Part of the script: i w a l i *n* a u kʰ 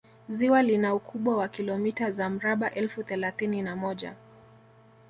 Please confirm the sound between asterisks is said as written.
yes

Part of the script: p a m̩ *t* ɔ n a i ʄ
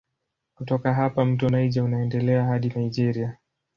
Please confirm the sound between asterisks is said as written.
yes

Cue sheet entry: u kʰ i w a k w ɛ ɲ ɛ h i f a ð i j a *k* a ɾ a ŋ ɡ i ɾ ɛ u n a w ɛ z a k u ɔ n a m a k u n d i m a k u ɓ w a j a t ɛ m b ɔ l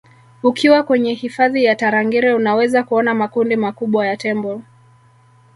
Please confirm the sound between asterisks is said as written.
no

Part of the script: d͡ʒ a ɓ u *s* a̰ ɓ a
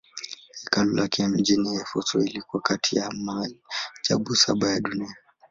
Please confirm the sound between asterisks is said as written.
yes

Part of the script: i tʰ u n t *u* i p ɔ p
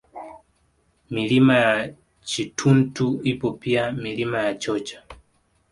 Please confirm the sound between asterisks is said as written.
yes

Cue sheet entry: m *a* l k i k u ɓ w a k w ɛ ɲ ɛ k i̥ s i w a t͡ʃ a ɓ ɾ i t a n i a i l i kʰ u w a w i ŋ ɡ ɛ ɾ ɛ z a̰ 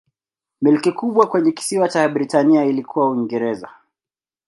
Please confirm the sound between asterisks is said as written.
no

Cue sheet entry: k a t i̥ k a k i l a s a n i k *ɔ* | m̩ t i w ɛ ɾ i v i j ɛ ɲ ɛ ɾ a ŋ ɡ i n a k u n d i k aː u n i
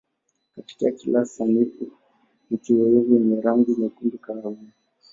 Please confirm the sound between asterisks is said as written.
no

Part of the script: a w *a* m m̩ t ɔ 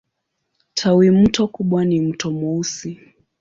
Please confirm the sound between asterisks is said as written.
no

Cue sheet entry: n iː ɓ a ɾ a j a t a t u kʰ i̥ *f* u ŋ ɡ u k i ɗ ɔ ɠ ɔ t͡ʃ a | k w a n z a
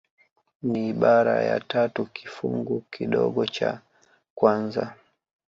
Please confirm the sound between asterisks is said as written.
yes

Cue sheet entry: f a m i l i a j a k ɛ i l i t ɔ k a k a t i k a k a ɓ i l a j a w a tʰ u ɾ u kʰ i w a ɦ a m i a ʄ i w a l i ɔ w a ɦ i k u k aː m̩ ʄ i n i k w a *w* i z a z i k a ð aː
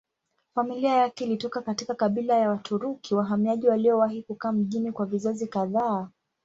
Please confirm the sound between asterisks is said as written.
no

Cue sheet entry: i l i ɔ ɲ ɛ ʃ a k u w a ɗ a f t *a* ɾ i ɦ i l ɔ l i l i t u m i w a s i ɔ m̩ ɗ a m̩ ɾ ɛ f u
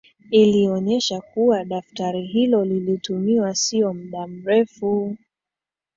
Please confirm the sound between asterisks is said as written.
yes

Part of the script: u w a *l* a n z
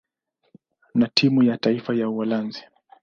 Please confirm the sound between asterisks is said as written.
yes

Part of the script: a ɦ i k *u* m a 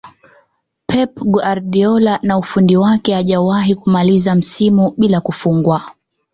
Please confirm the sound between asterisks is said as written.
yes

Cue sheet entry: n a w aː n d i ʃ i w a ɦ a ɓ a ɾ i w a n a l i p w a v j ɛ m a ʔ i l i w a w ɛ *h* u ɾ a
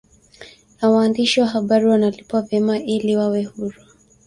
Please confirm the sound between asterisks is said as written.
yes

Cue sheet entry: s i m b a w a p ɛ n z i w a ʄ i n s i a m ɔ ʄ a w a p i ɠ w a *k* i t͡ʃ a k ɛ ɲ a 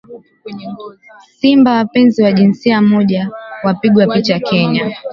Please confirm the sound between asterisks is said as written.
no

